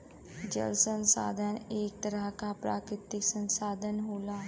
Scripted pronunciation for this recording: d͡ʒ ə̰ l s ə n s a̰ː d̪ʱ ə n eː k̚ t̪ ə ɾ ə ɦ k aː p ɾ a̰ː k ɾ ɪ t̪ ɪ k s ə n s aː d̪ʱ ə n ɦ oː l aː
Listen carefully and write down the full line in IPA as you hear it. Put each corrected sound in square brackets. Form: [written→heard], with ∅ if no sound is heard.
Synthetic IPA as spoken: d͡ʒ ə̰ l s ə n s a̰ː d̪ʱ ə n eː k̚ t̪ ə ɾ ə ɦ k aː p ɾ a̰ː k ɾ ɪ t̪ ɪ k s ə n s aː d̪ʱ ə n ɦ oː l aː